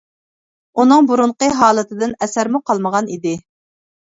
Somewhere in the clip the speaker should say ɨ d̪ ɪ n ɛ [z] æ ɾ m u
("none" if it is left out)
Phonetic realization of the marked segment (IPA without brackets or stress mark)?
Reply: s